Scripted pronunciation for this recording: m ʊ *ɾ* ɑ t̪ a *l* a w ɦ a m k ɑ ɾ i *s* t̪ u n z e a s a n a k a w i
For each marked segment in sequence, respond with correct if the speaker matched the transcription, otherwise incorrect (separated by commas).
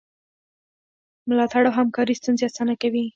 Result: incorrect, incorrect, correct